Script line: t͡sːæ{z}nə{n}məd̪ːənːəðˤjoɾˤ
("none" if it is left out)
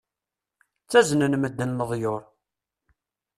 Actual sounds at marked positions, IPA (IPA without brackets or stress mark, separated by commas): z, n